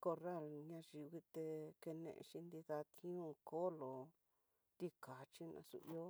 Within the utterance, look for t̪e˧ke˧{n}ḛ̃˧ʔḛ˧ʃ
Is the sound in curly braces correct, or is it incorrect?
correct